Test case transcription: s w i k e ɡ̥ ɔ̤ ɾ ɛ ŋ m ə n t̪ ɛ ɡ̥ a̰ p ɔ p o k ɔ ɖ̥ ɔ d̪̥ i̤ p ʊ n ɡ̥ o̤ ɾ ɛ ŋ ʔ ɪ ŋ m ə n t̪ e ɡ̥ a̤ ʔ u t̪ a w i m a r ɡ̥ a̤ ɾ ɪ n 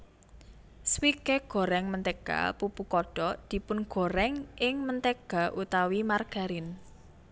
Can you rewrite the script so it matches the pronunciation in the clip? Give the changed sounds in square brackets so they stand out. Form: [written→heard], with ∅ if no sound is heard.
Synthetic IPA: s w i k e ɡ̥ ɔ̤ ɾ ɛ ŋ m ə n t̪ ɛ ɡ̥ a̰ p [ɔ→u] p [o→u] k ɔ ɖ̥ ɔ d̪̥ i̤ p ʊ n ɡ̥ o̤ ɾ ɛ ŋ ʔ ɪ ŋ m ə n t̪ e ɡ̥ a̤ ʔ u t̪ a w i m a r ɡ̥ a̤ ɾ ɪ n